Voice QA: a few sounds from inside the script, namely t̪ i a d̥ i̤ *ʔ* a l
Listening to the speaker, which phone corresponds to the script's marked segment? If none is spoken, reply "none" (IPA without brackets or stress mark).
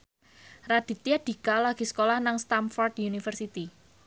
k